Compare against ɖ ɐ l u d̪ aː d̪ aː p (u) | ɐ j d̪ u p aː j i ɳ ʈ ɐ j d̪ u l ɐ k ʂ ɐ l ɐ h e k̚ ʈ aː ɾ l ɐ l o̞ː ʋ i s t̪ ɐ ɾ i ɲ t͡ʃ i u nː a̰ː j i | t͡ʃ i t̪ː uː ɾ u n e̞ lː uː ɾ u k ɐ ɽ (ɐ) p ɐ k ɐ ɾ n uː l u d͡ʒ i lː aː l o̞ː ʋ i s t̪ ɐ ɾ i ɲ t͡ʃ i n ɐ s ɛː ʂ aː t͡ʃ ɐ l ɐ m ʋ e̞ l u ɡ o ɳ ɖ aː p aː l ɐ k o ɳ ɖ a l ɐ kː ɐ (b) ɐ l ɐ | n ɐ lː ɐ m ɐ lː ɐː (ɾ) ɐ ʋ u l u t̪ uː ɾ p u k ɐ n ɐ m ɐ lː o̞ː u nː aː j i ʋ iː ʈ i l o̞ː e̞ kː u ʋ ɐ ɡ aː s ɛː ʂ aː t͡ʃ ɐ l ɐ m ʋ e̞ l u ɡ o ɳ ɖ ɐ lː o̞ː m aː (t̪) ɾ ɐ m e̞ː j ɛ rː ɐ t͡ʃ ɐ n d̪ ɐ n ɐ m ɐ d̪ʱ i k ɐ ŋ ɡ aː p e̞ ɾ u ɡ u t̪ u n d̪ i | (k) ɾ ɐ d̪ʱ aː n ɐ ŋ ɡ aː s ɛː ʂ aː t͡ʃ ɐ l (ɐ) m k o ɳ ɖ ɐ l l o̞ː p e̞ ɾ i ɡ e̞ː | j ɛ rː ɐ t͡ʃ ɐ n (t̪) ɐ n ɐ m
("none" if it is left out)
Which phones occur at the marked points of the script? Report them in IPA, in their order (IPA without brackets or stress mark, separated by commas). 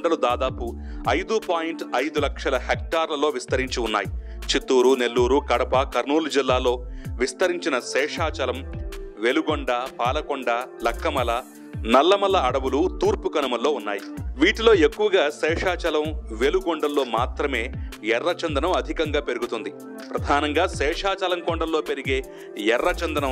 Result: u, ɐ, m, ɽ, t̪, p, ɐ, d̪